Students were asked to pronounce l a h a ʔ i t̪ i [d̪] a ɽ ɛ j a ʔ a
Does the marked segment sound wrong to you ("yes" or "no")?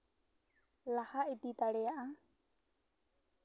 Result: yes